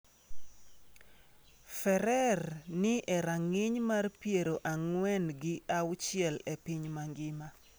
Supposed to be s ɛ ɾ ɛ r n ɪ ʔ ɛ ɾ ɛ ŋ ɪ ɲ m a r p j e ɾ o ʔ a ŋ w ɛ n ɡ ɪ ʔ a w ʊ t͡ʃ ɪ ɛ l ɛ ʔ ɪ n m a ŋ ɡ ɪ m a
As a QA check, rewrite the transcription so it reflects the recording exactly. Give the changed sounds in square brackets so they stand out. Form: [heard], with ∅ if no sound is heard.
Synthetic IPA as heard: [f] ɛ ɾ ɛ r n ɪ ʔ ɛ ɾ [a] ŋ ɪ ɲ m a r p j e ɾ o ʔ a ŋ w ɛ n ɡ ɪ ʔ a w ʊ t͡ʃ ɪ ɛ l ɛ [p] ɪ [ɲ] m a ŋ ɡ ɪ m a